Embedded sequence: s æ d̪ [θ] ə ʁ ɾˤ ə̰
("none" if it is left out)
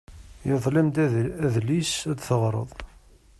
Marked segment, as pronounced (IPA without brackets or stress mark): θ